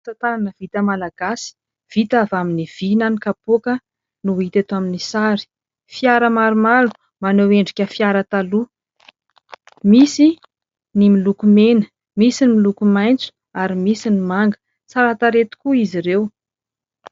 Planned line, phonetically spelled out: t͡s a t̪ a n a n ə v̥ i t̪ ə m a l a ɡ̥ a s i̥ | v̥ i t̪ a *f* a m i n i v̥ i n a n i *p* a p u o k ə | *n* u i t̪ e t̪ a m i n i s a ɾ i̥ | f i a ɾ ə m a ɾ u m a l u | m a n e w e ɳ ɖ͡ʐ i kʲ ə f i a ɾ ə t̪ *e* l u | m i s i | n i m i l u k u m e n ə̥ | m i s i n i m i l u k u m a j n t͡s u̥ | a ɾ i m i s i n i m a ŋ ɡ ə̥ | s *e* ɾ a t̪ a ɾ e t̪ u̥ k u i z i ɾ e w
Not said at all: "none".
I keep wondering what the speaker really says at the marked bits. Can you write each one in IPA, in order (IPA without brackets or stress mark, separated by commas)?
v, k, n, a, a